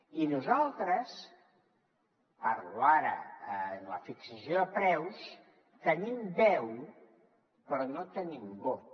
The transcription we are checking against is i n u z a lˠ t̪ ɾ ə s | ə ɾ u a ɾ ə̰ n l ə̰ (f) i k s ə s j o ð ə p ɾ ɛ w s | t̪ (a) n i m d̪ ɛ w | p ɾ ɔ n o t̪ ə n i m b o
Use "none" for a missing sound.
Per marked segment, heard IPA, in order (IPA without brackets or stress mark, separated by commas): f, ə